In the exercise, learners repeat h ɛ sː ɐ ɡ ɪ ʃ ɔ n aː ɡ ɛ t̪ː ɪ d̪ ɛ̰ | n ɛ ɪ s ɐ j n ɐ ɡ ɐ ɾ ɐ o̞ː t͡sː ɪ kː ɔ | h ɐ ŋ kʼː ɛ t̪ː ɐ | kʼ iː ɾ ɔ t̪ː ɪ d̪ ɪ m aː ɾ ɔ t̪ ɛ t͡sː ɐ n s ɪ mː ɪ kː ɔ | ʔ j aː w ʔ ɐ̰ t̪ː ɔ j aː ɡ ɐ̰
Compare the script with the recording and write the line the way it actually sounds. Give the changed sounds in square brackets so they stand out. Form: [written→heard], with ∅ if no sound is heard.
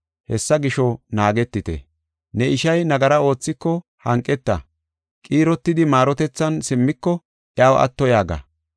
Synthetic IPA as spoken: h ɛ sː ɐ ɡ ɪ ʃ ɔ n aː ɡ ɛ t̪ː ɪ [d̪→t̪] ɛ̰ | n ɛ ɪ [s→ʃ] ɐ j n ɐ ɡ ɐ ɾ ɐ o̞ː t͡sː ɪ kː ɔ | h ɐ ŋ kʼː ɛ t̪ː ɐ | kʼ iː ɾ ɔ t̪ː ɪ d̪ ɪ m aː ɾ ɔ t̪ ɛ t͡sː ɐ n s ɪ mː ɪ kː ɔ | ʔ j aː w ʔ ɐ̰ t̪ː ɔ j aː ɡ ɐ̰

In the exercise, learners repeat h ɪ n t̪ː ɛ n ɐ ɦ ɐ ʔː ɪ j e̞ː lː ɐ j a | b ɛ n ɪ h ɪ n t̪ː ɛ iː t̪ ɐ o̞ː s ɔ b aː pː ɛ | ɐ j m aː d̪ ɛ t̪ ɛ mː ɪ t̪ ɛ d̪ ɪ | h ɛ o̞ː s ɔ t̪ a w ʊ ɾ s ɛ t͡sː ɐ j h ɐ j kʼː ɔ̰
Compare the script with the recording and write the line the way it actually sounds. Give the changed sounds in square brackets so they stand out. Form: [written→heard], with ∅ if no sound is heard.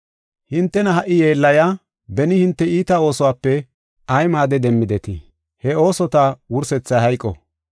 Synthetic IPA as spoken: h ɪ n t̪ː ɛ n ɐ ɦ ɐ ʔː ɪ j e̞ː lː ɐ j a | b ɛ n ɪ h ɪ n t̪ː ɛ iː t̪ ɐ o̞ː s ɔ [b→w] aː pː ɛ | ɐ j m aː d̪ ɛ [t̪→d̪] ɛ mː ɪ [t̪→d̪] ɛ [d̪→t̪] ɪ | h ɛ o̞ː s ɔ t̪ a w ʊ ɾ s ɛ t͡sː ɐ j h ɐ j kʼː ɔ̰

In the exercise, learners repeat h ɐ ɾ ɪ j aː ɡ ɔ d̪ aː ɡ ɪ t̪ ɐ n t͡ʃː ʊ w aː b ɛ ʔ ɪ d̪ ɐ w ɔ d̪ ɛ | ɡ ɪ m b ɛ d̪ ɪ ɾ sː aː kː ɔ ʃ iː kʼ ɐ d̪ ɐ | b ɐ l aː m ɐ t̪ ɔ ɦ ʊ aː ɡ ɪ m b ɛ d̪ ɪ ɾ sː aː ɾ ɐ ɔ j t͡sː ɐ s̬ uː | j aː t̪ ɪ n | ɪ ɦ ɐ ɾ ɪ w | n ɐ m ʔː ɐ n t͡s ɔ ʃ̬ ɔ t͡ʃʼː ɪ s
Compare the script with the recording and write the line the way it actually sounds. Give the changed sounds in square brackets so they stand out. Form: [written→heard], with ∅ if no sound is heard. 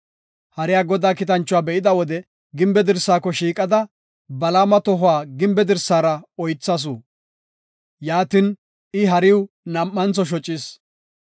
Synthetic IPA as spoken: h ɐ ɾ ɪ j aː ɡ ɔ d̪ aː [ɡ→k] ɪ t̪ ɐ n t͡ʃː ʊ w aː b ɛ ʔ ɪ d̪ ɐ w ɔ d̪ ɛ | ɡ ɪ m b ɛ d̪ ɪ ɾ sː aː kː ɔ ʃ iː kʼ ɐ d̪ ɐ | b ɐ l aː m ɐ t̪ ɔ ɦ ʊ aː ɡ ɪ m b ɛ d̪ ɪ ɾ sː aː ɾ ɐ ɔ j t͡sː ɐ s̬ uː | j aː t̪ ɪ n | ɪ ɦ ɐ ɾ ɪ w | n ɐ m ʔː ɐ n t͡s ɔ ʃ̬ ɔ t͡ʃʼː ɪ s

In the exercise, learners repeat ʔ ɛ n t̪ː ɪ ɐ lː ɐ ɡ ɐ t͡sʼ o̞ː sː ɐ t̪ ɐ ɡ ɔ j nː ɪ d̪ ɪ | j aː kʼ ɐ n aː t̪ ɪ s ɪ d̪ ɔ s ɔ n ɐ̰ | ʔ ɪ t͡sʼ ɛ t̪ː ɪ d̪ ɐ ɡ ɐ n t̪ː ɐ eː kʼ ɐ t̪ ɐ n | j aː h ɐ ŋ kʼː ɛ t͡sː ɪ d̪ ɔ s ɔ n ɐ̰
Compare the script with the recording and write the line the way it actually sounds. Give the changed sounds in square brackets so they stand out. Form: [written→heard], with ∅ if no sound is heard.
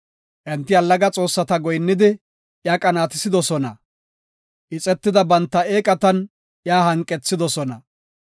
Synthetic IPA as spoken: ʔ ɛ n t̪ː ɪ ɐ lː ɐ ɡ ɐ t͡sʼ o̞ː sː ɐ t̪ ɐ ɡ ɔ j nː ɪ d̪ ɪ | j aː kʼ ɐ n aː t̪ ɪ s ɪ d̪ ɔ s ɔ n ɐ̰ | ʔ ɪ t͡sʼ ɛ t̪ː ɪ d̪ ɐ [ɡ→b] ɐ n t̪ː ɐ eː kʼ ɐ t̪ ɐ n | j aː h ɐ ŋ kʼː ɛ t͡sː ɪ d̪ ɔ s ɔ n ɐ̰

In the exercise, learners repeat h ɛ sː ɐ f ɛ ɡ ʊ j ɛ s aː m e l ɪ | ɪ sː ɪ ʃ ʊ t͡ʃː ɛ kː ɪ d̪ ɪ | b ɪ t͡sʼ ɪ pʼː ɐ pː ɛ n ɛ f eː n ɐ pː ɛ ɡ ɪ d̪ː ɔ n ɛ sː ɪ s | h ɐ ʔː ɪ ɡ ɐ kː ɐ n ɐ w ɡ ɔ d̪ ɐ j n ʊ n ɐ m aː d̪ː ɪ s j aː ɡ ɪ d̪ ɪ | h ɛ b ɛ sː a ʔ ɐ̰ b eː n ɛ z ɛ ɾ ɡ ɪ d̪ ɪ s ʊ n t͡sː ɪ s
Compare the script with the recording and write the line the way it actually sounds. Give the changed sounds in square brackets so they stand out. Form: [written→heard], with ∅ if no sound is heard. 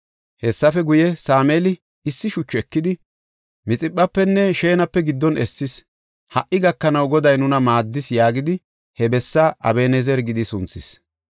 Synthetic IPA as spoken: h ɛ sː ɐ f ɛ ɡ ʊ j ɛ s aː m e l ɪ | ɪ sː ɪ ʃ ʊ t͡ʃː ɛ kː ɪ d̪ ɪ | [b→m] ɪ t͡sʼ ɪ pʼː ɐ pː ɛ [n→nː] ɛ [f→ʃ] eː n ɐ pː ɛ ɡ ɪ d̪ː ɔ n ɛ sː ɪ s | h ɐ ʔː ɪ ɡ ɐ kː ɐ n ɐ w ɡ ɔ d̪ ɐ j n ʊ n ɐ m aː d̪ː ɪ s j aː ɡ ɪ d̪ ɪ | h ɛ b ɛ sː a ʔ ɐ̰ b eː n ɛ z ɛ ɾ ɡ ɪ d̪ ɪ s ʊ n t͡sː ɪ s

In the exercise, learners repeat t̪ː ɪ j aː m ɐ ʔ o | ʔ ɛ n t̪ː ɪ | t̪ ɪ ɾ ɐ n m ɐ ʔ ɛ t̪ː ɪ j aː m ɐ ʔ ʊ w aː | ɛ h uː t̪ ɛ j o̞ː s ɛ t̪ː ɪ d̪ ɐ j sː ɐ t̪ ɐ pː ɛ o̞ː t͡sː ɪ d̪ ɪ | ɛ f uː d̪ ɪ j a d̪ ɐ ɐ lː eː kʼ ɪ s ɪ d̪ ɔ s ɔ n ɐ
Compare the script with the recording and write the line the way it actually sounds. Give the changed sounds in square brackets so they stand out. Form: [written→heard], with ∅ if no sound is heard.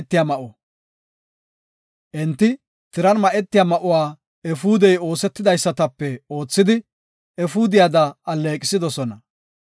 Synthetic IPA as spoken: t̪ː ɪ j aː m ɐ ʔ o | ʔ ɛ n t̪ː ɪ | t̪ ɪ ɾ ɐ n m ɐ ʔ ɛ t̪ː ɪ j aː m ɐ ʔ ʊ w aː | ɛ [h→f] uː [t̪→d̪] ɛ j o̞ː s ɛ t̪ː ɪ d̪ ɐ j sː ɐ t̪ ɐ pː ɛ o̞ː t͡sː ɪ d̪ ɪ | ɛ f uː d̪ ɪ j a d̪ ɐ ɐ lː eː kʼ ɪ s ɪ d̪ ɔ s ɔ n ɐ

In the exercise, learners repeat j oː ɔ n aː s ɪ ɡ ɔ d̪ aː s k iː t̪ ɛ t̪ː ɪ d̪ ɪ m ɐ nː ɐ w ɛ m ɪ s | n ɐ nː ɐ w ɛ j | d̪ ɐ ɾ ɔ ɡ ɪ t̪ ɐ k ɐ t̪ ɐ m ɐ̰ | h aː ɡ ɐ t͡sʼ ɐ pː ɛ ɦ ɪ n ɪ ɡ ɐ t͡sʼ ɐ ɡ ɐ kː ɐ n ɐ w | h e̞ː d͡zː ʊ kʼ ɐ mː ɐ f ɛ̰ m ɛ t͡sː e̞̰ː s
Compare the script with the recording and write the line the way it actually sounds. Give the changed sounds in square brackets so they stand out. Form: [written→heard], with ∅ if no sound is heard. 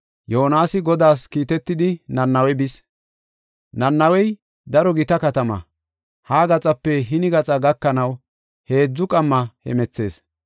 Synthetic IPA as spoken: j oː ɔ n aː s ɪ ɡ ɔ d̪ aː s k iː t̪ ɛ t̪ː ɪ d̪ ɪ [m→n] ɐ nː ɐ w ɛ [m→b] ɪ s | n ɐ nː ɐ w ɛ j | d̪ ɐ ɾ ɔ ɡ ɪ t̪ ɐ k ɐ t̪ ɐ m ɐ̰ | h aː ɡ ɐ t͡sʼ ɐ pː ɛ ɦ ɪ n ɪ ɡ ɐ t͡sʼ ɐ ɡ ɐ kː ɐ n ɐ w | h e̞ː d͡zː ʊ kʼ ɐ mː ɐ [f→h] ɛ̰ m ɛ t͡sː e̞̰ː s

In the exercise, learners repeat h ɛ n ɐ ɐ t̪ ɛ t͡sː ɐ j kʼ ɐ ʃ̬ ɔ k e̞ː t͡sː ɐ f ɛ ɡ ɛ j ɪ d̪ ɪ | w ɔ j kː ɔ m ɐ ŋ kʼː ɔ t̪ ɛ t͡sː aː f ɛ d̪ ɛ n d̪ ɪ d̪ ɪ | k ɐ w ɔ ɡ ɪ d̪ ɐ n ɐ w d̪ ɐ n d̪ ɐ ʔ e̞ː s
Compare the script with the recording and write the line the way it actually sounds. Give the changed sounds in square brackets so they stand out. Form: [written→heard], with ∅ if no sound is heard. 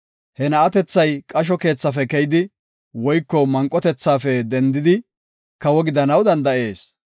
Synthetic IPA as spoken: h ɛ n ɐ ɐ t̪ ɛ t͡sː ɐ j kʼ ɐ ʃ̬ ɔ k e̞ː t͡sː ɐ f ɛ [ɡ→k] ɛ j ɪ d̪ ɪ | w ɔ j kː ɔ m ɐ ŋ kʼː ɔ t̪ ɛ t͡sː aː f ɛ d̪ ɛ n d̪ ɪ d̪ ɪ | k ɐ w ɔ ɡ ɪ d̪ ɐ n ɐ w d̪ ɐ n d̪ ɐ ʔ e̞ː s

